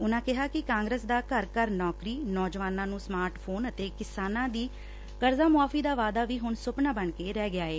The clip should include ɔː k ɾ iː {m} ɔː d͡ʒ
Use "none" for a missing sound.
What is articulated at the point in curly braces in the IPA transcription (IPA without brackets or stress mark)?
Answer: n